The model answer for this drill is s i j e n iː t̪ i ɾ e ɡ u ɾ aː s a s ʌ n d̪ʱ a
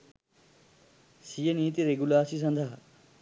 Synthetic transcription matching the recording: s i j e n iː t̪ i ɾ e ɡ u l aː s i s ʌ n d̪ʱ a

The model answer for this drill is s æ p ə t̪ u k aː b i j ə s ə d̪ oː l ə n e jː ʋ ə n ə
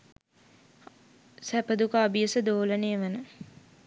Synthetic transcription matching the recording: s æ p ə d̪ u k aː b i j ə s ə d̪ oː l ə n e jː ʋ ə n ə

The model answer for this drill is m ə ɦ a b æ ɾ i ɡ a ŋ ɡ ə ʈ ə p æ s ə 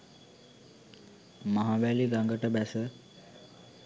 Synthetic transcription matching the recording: m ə ɦ a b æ l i ɡ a ŋ ɡ ə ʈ ə b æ s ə

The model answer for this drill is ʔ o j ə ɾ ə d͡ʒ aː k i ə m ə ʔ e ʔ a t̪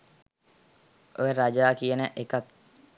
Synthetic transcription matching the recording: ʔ o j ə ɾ a d͡ʒ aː k i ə n ə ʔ e k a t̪

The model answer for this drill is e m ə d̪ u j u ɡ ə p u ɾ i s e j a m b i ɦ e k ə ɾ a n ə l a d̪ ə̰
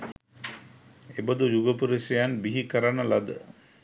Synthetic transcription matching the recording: e b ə d̪ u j u ɡ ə p u ɾ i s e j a n b i ɦ i k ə ɾ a n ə l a d̪ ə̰

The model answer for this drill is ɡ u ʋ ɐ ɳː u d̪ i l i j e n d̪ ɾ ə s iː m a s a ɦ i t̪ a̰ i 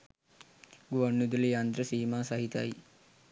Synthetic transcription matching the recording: ɡ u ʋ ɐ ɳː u d̪ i l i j a n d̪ ɾ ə s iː m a s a ɦ i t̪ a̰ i

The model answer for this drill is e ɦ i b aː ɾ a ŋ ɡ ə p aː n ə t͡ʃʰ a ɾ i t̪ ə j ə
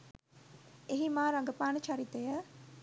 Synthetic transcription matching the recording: e ɦ i m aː ɾ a ŋ ɡ ə p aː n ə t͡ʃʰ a ɾ i t̪ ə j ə

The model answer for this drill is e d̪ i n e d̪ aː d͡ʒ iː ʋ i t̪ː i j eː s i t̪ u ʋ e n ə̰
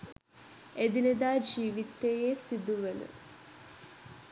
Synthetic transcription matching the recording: e d̪ i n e d̪ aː d͡ʒ iː ʋ i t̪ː e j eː s i d̪ u ʋ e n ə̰

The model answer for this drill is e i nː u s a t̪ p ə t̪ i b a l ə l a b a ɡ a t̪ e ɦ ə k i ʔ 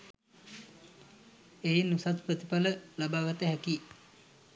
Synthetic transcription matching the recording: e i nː u s a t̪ p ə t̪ i p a l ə l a b a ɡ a t̪ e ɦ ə k i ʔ

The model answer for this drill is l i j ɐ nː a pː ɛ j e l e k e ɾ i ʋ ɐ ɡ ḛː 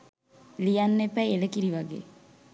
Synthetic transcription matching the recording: l i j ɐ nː e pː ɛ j e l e k i ɾ i ʋ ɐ ɡ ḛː

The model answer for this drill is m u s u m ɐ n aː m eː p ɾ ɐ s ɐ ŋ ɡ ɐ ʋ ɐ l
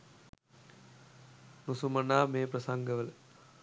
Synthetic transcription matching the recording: n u s u m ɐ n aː m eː p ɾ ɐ s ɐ ŋ ɡ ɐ ʋ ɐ l

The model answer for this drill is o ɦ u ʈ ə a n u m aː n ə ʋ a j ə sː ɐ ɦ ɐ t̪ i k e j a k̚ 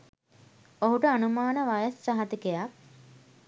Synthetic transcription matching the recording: o ɦ u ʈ ə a n u m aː n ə ʋ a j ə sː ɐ ɦ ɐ t̪ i k e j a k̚

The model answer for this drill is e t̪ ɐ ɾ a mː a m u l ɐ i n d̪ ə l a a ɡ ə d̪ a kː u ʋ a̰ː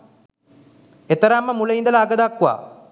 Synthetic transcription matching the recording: e t̪ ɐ ɾ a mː ə m u l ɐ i n d̪ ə l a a ɡ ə d̪ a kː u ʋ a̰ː

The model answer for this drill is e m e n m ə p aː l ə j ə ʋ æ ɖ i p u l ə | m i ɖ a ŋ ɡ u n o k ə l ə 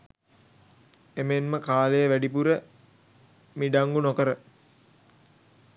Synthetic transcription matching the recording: e m e n m ə k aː l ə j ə ʋ æ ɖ i p u ɾ ə | m i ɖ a ŋ ɡ u n o k ə ɾ ə

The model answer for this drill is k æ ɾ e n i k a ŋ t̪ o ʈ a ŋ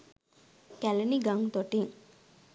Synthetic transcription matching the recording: k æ l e n i ɡ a ŋ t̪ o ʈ i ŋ

